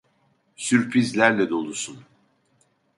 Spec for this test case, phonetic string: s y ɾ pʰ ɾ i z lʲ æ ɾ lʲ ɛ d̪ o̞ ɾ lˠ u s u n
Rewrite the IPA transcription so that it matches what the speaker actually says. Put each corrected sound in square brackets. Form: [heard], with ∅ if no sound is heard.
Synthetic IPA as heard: s y ɾ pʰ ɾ i z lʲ æ ɾ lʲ ɛ d̪ o̞ [∅] lˠ u s u n